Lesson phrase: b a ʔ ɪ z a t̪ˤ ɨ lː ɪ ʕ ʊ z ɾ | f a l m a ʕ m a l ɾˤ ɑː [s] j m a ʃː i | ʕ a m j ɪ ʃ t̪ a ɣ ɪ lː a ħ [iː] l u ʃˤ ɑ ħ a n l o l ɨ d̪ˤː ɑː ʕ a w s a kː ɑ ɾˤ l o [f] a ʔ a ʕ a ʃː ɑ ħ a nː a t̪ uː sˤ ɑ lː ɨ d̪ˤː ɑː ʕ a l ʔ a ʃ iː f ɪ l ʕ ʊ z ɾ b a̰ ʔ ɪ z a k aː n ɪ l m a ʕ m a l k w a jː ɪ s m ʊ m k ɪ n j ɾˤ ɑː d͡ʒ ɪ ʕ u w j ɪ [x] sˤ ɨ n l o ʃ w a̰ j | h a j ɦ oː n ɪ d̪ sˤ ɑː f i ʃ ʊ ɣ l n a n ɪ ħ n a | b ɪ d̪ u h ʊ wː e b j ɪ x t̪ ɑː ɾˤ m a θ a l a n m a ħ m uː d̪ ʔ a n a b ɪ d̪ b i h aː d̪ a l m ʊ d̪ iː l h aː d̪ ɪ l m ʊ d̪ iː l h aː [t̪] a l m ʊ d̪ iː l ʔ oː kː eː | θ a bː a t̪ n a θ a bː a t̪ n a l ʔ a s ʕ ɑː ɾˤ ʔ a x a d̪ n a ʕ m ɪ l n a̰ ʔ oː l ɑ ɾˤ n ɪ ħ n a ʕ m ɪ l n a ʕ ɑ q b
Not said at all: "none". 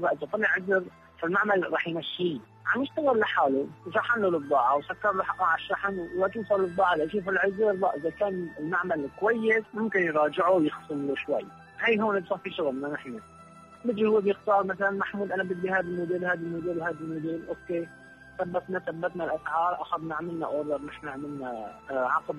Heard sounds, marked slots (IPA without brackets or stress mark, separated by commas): ħ, aː, ħ, x, d̪